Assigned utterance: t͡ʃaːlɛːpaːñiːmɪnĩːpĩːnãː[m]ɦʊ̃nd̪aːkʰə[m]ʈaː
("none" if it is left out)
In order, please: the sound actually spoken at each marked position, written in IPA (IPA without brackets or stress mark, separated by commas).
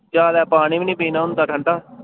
none, ɳ